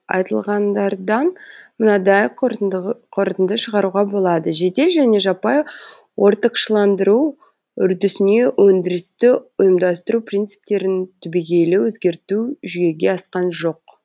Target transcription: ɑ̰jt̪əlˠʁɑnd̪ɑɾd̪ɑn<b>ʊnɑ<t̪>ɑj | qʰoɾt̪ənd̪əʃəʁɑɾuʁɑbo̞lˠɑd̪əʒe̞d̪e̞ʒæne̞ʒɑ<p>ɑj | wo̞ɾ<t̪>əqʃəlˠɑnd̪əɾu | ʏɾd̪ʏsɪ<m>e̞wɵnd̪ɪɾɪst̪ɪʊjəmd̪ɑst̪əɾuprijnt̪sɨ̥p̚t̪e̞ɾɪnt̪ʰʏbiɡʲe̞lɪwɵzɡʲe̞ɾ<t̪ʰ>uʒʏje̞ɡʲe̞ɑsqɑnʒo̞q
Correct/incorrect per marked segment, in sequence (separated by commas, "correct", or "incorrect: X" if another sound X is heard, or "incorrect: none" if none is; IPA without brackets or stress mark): incorrect: m, incorrect: d̪, correct, correct, incorrect: n, incorrect: t̪